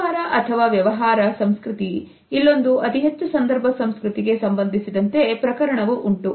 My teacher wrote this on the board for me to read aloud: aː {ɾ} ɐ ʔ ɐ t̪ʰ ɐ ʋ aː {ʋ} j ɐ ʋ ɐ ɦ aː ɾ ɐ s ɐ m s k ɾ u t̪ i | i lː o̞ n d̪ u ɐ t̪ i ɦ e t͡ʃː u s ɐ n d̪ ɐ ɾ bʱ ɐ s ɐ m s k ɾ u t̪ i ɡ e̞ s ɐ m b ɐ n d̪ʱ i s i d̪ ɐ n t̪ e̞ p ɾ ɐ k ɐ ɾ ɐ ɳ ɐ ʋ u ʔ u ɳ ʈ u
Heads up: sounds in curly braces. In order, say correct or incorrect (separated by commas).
correct, correct